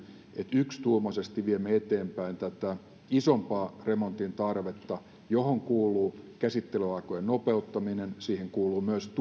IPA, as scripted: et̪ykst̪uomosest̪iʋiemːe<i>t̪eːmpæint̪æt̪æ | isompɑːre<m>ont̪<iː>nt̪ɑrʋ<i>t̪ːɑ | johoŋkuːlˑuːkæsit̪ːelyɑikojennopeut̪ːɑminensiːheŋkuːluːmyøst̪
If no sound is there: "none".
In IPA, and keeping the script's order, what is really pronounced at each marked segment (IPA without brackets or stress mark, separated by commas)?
e, m, i, e